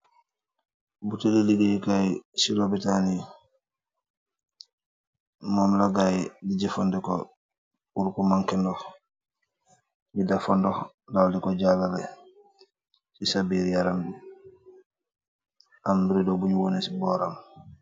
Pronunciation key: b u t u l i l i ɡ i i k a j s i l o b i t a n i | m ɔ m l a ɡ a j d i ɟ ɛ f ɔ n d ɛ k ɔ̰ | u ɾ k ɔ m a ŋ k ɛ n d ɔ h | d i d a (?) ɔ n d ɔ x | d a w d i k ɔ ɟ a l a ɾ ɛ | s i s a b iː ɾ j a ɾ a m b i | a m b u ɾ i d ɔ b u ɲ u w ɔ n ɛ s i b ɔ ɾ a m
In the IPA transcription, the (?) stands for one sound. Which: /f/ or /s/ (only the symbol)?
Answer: f